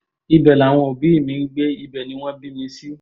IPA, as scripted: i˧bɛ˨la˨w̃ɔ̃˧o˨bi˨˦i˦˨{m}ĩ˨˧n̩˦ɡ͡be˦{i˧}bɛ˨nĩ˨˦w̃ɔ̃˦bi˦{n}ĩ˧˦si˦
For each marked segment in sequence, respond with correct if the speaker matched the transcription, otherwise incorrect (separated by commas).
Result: correct, correct, incorrect